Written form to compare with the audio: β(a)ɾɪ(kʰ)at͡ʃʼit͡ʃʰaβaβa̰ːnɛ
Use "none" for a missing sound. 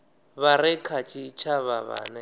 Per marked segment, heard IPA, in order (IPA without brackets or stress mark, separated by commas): a, kʰ